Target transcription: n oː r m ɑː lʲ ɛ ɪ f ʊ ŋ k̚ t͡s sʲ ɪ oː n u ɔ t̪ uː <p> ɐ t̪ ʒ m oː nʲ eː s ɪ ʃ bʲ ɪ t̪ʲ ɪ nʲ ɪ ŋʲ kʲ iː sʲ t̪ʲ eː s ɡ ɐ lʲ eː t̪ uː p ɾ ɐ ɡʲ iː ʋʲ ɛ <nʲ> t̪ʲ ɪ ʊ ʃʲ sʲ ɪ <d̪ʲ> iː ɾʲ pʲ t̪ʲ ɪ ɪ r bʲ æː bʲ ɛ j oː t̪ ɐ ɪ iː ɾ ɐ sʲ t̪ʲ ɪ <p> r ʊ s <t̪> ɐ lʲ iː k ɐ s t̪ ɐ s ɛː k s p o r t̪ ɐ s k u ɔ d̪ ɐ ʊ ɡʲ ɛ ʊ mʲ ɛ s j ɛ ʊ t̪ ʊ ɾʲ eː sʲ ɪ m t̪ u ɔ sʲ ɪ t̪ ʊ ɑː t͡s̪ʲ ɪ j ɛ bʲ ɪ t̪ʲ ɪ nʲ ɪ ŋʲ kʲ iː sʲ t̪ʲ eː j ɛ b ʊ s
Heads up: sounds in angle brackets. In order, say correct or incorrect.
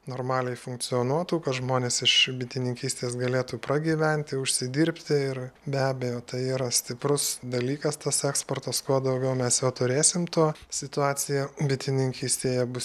incorrect: k, correct, correct, correct, incorrect: d̪

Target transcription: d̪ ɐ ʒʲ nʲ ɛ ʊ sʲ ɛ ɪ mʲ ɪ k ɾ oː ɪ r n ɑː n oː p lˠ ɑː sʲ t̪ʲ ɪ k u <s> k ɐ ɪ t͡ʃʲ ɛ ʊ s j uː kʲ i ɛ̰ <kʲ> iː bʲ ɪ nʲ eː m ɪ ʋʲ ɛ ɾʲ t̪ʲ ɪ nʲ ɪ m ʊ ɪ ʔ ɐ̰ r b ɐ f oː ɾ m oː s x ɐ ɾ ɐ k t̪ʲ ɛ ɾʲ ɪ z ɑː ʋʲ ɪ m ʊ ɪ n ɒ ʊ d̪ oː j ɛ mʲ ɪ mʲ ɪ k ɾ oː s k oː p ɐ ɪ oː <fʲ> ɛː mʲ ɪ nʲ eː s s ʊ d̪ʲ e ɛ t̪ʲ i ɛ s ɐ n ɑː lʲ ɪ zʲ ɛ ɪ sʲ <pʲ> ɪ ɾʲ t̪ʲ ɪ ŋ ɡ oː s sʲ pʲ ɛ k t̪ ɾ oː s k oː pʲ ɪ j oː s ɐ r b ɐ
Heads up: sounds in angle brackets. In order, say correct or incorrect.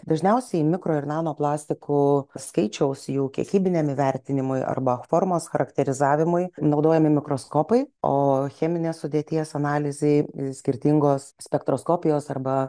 correct, correct, incorrect: xʲ, incorrect: kʲ

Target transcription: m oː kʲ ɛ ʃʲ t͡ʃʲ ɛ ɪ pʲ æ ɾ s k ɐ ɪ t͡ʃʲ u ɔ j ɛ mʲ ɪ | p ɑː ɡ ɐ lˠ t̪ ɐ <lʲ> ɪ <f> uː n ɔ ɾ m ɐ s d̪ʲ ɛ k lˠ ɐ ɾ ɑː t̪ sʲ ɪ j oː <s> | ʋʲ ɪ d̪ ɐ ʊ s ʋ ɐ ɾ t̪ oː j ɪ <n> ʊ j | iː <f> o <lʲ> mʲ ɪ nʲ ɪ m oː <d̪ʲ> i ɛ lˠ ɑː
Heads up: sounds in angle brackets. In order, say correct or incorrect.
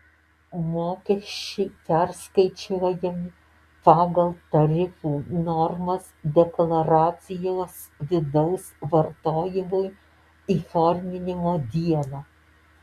incorrect: ɾʲ, correct, correct, incorrect: m, correct, incorrect: ɾʲ, correct

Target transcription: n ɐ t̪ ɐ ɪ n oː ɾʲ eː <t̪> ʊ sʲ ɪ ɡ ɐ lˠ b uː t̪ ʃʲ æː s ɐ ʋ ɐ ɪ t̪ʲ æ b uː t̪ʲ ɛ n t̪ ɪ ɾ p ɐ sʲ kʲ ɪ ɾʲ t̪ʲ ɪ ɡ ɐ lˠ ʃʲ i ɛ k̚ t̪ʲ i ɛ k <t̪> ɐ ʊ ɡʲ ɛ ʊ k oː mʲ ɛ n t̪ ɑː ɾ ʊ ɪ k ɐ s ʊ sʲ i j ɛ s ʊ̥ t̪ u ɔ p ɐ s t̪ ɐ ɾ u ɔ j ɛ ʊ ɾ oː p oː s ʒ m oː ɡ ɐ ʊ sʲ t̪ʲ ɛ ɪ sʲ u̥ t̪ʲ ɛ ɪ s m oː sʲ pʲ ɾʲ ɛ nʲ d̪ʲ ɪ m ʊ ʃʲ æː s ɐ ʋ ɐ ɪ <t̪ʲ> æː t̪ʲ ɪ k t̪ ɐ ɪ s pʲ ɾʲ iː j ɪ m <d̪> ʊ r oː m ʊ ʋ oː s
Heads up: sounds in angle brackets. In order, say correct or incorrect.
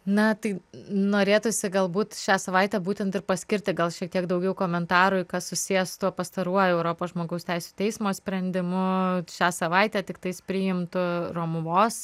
correct, incorrect: d̪, correct, incorrect: t̪

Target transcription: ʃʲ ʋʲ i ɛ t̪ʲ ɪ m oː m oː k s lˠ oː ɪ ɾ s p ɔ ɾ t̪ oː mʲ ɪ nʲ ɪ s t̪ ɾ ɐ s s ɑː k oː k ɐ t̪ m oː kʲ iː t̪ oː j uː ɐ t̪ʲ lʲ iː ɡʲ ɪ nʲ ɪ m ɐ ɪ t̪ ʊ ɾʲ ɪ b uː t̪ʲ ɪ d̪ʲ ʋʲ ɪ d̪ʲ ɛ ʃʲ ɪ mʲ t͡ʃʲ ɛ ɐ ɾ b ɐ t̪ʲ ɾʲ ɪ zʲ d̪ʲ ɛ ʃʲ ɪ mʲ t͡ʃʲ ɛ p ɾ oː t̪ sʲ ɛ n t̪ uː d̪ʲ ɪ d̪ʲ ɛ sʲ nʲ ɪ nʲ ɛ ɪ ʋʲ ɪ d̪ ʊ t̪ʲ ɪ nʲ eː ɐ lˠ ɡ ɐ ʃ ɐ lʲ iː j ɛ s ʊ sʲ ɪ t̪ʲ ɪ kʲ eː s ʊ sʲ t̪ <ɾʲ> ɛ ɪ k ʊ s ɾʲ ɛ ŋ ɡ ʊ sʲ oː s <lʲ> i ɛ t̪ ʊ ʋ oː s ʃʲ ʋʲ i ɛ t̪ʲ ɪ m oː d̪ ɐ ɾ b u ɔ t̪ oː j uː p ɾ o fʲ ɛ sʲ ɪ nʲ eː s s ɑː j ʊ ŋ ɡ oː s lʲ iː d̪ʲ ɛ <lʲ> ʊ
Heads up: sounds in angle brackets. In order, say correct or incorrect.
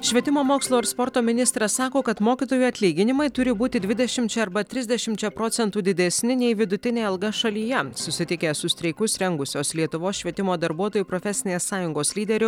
correct, correct, incorrect: ɾʲ

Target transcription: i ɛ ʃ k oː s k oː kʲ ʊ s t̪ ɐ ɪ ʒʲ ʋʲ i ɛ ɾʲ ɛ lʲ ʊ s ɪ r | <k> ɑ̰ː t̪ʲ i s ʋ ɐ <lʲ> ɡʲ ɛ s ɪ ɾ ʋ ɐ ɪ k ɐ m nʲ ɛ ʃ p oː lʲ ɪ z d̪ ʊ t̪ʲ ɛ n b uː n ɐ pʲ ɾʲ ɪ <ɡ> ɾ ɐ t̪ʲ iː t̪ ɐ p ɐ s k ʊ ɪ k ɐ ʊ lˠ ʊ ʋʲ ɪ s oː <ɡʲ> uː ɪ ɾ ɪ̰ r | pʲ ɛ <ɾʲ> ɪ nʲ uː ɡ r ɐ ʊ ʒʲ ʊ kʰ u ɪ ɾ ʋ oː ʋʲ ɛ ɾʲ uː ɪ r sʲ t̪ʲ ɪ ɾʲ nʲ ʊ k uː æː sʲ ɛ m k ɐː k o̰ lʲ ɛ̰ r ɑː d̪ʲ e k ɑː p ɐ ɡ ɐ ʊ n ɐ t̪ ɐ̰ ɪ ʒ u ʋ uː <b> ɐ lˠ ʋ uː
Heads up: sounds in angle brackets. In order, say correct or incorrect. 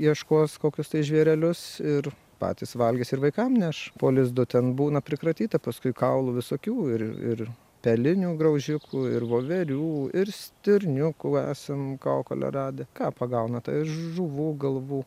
incorrect: p, correct, incorrect: k, incorrect: kʲ, incorrect: lʲ, incorrect: ɡ

